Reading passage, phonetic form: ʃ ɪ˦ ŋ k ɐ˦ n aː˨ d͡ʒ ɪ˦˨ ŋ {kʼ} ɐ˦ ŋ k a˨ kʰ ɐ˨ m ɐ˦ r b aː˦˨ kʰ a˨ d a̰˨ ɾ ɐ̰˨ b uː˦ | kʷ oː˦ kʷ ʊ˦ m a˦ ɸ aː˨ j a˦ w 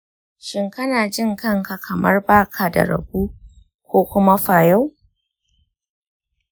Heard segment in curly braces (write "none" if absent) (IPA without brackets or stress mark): k